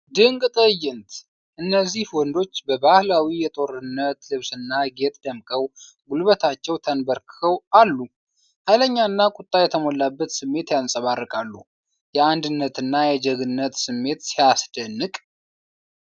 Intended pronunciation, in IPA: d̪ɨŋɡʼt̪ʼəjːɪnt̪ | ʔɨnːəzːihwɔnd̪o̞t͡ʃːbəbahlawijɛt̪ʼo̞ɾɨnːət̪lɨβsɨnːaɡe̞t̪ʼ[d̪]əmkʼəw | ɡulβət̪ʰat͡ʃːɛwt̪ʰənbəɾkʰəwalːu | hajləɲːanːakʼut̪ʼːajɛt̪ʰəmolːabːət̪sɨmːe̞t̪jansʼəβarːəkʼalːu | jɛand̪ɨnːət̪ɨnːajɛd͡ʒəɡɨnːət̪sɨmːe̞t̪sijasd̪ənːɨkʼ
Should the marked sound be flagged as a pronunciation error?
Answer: no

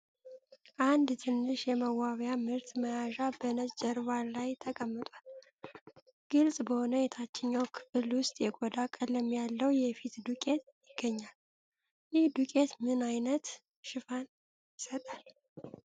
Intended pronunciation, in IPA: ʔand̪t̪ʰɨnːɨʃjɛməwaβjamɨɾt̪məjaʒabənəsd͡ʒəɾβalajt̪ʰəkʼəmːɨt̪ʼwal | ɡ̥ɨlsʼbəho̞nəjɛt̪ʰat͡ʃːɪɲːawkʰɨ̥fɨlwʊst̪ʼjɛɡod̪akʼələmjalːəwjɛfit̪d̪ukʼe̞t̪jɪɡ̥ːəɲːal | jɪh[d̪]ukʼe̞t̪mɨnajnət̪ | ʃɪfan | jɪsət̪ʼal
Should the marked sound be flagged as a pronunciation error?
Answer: no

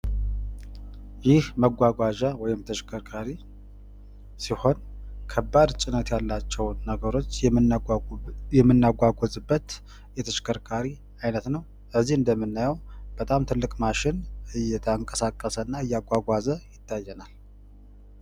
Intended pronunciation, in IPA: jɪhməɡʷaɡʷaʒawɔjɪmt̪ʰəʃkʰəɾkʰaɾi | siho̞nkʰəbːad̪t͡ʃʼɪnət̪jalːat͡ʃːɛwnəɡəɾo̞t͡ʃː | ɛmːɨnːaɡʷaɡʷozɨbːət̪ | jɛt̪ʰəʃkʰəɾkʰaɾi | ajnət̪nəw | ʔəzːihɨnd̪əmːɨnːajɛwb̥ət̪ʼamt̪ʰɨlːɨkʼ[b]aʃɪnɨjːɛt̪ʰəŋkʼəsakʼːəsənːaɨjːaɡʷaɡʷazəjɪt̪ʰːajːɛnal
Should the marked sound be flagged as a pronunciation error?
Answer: yes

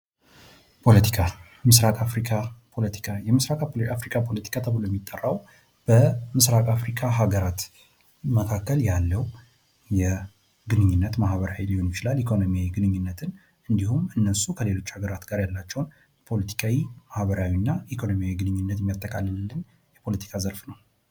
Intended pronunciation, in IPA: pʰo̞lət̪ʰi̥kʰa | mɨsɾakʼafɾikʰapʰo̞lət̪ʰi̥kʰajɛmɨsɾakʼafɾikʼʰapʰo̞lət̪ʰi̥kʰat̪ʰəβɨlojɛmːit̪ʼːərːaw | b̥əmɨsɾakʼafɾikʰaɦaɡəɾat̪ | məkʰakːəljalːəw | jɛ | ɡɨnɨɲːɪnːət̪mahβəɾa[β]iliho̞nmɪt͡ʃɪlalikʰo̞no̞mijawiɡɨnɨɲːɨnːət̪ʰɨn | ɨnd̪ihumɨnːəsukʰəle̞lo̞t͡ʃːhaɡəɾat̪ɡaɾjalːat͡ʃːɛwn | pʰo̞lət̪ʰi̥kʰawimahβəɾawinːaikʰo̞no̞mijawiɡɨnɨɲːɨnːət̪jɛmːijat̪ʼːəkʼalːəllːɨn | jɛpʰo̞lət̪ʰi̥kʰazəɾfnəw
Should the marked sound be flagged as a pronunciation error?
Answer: yes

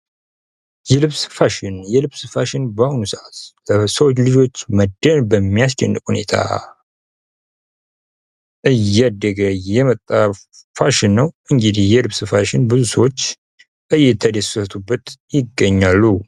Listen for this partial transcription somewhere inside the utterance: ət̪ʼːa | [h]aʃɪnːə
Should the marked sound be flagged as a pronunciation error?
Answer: yes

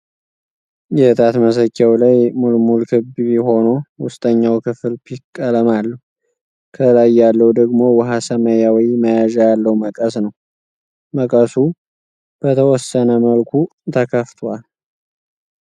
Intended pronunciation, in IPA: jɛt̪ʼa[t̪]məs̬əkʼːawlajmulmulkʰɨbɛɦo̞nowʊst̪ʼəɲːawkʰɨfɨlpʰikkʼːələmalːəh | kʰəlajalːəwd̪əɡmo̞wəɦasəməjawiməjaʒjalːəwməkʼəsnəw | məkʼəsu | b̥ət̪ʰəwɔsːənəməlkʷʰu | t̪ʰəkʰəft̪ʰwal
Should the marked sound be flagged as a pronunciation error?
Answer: no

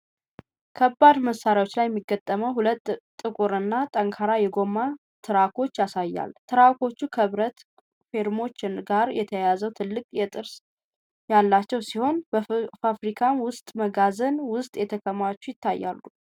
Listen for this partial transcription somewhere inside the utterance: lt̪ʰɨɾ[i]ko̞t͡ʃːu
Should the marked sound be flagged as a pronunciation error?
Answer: yes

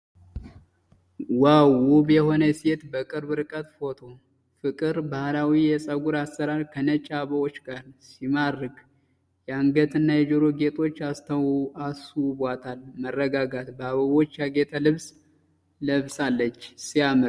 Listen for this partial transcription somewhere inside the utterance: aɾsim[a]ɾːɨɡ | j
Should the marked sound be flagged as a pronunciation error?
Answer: no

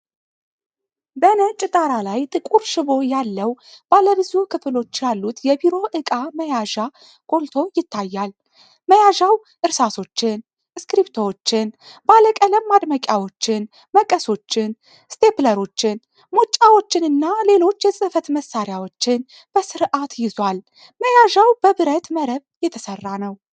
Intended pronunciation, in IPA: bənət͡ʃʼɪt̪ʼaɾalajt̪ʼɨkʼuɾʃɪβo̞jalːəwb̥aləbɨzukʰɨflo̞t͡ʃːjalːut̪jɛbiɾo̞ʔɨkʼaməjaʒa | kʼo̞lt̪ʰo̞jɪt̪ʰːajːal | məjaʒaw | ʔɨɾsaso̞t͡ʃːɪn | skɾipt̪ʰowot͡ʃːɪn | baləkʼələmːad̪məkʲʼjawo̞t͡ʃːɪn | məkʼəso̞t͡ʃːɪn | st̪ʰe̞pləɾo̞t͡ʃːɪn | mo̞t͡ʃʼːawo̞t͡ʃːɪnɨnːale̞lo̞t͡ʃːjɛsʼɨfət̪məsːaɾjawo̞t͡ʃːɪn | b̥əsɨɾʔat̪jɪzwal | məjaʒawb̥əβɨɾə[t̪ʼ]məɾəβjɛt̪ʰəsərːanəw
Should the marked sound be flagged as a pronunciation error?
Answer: yes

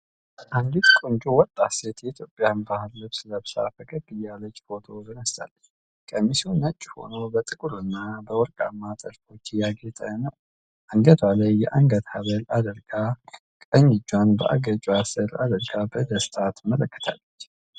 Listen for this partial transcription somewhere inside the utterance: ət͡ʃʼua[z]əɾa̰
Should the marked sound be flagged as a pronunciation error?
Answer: yes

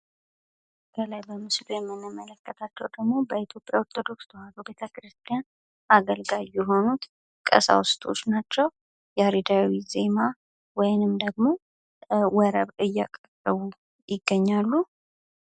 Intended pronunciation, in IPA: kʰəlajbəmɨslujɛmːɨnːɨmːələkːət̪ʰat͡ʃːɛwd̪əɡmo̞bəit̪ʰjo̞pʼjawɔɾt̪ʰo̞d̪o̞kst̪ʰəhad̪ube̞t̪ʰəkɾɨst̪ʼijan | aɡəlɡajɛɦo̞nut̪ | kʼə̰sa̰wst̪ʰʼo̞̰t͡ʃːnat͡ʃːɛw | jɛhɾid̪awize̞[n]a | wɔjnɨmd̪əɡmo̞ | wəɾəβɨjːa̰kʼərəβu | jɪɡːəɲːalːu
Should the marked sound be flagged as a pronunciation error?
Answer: yes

